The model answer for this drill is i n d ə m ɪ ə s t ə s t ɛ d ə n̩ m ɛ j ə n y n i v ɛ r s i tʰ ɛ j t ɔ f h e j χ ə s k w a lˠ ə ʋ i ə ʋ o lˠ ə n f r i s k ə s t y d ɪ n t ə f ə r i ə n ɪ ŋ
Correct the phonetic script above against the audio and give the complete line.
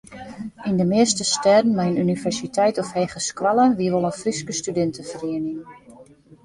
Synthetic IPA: i n d ə m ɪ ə s t ə s t ɛ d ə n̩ m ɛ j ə n y n i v ɛ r s i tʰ ɛ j t ɔ f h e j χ ə s k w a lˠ ə ʋ i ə ʋ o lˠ ə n f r i s k ə s t y d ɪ n t ə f ə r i ə n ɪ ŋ